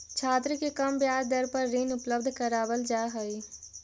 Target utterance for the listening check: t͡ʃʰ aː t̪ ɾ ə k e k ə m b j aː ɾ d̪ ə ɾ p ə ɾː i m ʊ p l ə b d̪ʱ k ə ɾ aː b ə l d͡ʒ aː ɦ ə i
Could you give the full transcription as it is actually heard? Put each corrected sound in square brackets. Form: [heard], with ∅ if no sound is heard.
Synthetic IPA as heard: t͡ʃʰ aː t̪ ɾ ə k e k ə m b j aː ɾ d̪ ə ɾ p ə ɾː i [n] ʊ p l ə b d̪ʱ k ə ɾ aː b ə l d͡ʒ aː ɦ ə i